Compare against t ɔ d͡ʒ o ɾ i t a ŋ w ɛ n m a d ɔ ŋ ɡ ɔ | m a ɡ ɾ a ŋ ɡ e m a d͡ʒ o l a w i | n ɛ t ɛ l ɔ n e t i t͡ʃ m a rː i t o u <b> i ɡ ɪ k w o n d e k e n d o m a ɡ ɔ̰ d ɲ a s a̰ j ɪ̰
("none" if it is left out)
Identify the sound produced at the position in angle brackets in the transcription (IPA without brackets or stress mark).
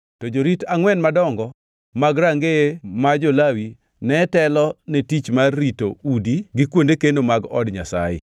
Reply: d